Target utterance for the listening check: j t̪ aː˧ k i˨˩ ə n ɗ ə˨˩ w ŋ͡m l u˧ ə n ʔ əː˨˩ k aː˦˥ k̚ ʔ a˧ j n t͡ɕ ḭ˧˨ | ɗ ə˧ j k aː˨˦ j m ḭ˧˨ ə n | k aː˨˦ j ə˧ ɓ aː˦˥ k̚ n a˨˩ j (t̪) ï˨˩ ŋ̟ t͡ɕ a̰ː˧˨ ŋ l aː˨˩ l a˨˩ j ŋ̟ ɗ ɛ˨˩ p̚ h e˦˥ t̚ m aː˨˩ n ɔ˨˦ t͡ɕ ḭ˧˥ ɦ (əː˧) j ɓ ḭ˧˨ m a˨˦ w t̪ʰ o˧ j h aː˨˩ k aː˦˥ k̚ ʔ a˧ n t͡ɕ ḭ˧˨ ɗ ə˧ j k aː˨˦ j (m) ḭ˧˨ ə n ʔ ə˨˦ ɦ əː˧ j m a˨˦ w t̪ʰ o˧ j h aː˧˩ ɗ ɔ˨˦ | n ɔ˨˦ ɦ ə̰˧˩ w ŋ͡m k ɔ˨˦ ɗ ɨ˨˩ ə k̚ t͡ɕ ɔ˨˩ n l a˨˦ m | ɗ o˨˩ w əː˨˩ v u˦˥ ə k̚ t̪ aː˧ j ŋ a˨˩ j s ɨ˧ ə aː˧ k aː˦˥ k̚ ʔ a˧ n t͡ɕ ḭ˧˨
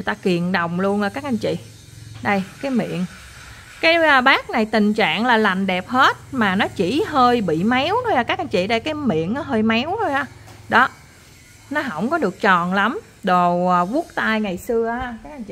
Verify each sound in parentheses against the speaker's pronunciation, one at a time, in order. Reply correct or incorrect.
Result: correct, correct, correct

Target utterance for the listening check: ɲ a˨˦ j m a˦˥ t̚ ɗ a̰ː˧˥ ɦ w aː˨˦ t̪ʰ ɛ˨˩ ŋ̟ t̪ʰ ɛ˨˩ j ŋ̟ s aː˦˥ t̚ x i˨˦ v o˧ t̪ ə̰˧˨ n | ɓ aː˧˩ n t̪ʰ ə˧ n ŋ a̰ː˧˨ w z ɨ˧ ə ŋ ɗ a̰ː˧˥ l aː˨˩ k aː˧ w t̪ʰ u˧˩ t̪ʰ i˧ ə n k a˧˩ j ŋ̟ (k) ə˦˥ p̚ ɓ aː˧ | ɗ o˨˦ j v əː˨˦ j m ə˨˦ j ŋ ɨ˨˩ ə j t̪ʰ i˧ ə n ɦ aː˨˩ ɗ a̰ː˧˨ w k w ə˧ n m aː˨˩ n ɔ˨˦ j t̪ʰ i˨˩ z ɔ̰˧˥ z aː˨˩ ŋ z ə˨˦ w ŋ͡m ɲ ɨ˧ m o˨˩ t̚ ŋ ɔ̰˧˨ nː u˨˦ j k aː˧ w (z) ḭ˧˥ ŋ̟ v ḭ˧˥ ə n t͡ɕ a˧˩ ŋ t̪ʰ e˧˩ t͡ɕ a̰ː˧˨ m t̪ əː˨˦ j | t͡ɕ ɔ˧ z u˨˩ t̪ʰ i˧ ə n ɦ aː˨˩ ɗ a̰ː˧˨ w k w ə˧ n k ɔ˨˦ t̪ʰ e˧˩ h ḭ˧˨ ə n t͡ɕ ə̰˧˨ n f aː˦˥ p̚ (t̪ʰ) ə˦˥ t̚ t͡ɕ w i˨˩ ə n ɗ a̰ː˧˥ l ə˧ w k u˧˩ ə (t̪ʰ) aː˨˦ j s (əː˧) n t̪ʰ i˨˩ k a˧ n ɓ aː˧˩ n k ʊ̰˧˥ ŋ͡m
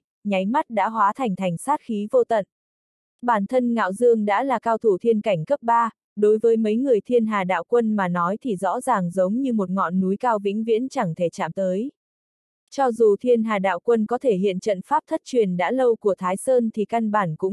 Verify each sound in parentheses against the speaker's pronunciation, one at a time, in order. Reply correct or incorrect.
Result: correct, incorrect: v, correct, correct, correct

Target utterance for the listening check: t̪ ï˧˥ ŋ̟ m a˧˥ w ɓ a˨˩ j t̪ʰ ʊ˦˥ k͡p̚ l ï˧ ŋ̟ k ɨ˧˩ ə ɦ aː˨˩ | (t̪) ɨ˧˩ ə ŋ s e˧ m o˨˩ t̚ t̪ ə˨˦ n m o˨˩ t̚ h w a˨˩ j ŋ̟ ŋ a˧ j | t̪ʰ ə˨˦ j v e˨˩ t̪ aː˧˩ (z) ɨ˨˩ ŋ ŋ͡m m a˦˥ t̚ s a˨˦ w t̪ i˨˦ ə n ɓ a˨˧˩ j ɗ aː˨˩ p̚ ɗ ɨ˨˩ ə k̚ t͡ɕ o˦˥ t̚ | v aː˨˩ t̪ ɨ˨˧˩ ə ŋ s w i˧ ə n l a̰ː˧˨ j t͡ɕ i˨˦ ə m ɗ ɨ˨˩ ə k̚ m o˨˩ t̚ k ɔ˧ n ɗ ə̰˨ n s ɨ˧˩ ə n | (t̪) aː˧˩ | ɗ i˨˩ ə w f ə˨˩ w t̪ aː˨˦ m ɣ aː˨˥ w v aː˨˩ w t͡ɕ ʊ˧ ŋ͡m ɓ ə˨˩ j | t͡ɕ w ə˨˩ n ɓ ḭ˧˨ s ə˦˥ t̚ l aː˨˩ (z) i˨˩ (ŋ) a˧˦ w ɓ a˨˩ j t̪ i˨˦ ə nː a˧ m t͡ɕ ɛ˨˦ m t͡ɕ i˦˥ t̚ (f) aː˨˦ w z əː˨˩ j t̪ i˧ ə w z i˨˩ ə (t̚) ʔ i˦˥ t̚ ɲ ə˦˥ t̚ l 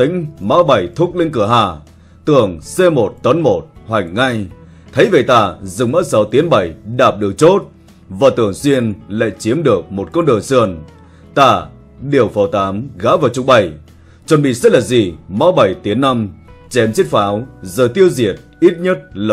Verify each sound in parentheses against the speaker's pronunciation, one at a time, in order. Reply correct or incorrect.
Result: correct, correct, correct, correct, incorrect: m, correct, correct

